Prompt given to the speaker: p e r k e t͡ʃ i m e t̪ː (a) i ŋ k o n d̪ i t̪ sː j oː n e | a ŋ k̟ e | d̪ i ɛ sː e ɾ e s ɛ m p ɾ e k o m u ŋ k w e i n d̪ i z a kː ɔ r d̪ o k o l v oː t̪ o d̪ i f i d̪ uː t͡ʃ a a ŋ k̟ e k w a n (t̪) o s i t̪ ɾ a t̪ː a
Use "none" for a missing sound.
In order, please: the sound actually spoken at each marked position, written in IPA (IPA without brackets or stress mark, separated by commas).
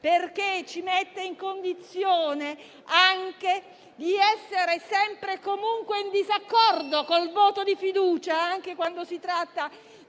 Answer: e, d̪